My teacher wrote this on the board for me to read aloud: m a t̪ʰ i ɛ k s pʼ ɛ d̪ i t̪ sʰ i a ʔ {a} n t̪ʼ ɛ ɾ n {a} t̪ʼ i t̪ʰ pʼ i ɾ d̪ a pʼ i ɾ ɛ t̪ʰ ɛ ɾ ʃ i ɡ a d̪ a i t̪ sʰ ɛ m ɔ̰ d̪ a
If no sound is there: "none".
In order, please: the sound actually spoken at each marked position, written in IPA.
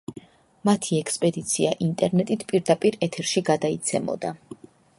i, ɛ

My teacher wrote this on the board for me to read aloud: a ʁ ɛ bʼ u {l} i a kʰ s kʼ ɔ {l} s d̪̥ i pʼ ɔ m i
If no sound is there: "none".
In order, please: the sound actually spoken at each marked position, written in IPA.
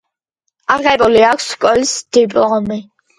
l, l

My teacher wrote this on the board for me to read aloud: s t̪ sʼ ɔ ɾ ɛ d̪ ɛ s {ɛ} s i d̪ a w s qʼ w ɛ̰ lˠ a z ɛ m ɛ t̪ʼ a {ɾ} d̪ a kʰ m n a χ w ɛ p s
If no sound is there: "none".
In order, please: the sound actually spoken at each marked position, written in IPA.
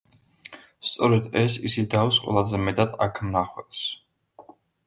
i, none

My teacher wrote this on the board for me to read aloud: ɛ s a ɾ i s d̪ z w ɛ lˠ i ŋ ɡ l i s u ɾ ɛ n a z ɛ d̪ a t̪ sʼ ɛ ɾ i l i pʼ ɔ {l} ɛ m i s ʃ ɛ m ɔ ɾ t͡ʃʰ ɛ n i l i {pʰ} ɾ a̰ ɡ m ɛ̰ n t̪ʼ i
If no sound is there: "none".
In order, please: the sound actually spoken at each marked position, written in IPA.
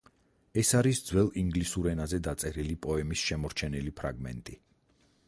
none, pʰ

